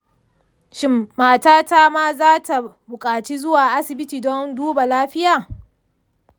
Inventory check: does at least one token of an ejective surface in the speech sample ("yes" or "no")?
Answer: yes